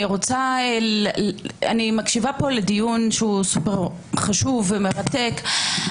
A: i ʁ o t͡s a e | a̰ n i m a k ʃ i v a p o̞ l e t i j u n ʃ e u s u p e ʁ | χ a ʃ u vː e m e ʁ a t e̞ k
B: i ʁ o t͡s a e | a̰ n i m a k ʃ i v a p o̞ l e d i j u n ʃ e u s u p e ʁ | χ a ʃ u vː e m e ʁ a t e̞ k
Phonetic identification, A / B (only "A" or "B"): B